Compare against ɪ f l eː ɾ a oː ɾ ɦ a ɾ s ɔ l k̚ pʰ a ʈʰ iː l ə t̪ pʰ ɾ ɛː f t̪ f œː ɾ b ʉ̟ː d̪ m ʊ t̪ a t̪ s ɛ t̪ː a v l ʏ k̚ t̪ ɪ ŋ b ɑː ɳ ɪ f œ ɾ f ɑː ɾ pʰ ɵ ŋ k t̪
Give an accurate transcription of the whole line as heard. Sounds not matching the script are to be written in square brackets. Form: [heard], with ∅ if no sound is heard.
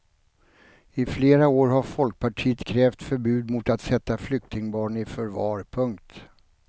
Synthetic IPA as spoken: ɪ f l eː ɾ a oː ɾ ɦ a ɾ [f] ɔ l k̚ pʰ a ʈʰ iː [∅] ə t̪ [kʰ] ɾ ɛː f t̪ f [œ] ɾ b ʉ̟ː d̪ m ʊ t̪ a t̪ s ɛ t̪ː a [f] l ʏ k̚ t̪ ɪ ŋ b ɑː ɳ ɪ f œ ɾ [v] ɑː ɾ pʰ ɵ ŋ k t̪